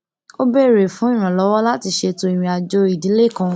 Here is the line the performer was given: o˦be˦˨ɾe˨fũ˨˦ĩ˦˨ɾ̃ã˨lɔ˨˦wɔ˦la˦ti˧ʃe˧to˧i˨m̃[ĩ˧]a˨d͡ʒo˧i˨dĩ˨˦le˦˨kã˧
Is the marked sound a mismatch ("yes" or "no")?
no